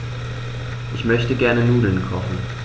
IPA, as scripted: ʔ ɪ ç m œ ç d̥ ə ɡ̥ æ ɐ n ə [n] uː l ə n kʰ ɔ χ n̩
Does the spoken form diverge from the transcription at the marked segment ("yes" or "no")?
no